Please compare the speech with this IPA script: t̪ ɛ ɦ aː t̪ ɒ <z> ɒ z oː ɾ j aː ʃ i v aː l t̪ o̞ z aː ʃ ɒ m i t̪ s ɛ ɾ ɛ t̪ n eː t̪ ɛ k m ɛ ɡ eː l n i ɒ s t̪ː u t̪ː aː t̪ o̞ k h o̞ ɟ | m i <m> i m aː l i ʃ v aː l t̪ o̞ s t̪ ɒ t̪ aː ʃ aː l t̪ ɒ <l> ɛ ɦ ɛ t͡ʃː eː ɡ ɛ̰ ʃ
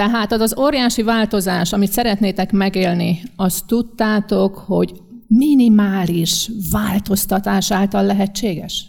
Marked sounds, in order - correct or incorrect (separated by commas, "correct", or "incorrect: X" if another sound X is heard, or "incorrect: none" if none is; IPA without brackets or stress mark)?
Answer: correct, incorrect: n, incorrect: lː